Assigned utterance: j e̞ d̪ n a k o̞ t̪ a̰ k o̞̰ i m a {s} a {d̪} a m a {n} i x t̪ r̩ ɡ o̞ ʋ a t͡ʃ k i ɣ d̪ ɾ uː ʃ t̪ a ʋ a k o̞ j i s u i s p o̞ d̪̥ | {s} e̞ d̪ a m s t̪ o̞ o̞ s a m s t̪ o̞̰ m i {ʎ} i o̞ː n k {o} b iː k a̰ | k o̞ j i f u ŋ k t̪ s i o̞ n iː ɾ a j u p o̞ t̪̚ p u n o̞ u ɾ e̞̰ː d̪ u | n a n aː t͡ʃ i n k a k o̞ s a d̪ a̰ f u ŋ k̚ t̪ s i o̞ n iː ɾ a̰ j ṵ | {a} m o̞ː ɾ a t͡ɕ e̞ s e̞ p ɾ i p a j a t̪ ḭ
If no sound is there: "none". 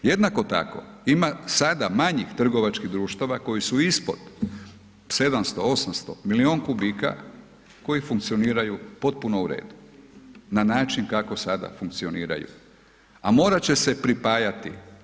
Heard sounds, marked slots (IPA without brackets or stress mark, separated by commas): s, d̪, ɲ, s, l, u, a